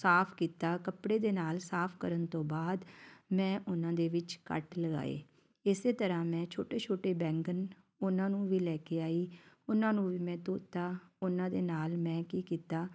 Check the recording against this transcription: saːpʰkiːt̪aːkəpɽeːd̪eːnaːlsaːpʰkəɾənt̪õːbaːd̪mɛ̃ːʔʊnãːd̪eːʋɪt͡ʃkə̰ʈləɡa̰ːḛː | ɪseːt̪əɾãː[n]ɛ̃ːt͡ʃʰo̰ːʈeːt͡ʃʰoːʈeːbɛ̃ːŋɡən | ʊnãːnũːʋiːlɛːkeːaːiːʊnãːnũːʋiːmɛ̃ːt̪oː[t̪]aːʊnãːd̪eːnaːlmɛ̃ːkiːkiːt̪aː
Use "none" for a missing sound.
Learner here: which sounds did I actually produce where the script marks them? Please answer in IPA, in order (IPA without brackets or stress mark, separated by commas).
m, t̪